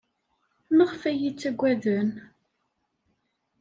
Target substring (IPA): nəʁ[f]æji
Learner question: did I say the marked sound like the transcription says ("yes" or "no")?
yes